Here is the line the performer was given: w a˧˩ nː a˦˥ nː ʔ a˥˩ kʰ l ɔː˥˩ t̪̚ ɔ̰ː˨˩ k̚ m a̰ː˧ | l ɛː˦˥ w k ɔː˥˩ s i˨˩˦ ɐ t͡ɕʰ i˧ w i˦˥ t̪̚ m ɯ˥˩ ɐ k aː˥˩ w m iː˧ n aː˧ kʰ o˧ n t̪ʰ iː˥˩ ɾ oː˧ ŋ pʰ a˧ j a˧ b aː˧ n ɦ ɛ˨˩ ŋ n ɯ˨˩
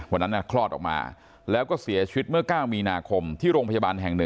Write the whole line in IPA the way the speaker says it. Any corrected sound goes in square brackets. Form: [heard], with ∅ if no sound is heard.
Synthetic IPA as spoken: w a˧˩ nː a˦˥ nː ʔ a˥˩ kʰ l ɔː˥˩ t̪̚ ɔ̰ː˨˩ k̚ m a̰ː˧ | l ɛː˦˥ w k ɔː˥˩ s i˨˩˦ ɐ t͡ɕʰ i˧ w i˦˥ t̪̚ m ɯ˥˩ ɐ k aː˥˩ w m iː˧ n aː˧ kʰ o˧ [m] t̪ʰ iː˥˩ ɾ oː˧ ŋ pʰ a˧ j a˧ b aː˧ n ɦ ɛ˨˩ ŋ n ɯ˨˩